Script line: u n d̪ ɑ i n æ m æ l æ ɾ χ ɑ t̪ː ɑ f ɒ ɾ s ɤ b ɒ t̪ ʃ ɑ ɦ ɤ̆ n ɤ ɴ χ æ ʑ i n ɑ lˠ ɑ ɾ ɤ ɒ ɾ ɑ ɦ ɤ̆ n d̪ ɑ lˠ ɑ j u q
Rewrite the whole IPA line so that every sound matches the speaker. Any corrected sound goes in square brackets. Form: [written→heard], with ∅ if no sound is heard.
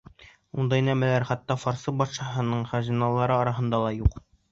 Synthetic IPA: u n d̪ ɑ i n æ m æ l æ ɾ χ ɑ t̪ː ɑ f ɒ ɾ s ɤ b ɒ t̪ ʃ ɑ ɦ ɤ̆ n ɤ ɴ χ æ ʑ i n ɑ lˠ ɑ ɾ ɤ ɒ ɾ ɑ ɦ ɤ̆ n d̪ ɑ lˠ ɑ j u q